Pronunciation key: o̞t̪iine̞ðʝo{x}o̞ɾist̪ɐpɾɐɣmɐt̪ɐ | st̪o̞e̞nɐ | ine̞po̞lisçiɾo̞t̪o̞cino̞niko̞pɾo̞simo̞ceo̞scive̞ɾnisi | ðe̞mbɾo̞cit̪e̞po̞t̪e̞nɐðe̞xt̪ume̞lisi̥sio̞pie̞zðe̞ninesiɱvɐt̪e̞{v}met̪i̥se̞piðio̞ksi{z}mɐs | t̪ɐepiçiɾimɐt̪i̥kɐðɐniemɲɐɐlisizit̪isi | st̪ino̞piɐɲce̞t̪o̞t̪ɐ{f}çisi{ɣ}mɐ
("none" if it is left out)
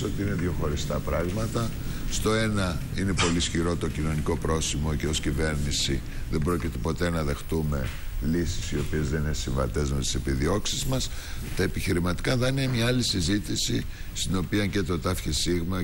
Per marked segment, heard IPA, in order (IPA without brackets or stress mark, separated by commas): x, z, z, f, ɣ